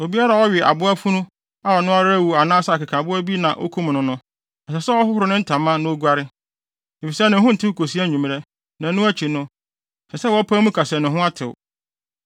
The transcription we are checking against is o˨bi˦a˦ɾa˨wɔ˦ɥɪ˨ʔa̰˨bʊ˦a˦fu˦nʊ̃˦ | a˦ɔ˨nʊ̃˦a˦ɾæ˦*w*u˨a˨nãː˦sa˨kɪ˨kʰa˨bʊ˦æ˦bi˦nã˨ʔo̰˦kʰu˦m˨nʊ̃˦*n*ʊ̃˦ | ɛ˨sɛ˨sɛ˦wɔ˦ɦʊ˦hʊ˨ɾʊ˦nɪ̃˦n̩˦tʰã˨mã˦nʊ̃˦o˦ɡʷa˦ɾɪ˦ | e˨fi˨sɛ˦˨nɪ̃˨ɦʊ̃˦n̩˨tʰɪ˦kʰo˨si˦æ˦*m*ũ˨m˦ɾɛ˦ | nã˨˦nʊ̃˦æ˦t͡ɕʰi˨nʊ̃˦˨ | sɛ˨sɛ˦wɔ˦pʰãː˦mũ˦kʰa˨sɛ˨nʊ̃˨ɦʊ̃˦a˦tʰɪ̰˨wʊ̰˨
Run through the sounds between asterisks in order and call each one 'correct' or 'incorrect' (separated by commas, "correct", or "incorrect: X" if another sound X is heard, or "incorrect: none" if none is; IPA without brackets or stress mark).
correct, correct, incorrect: ɲ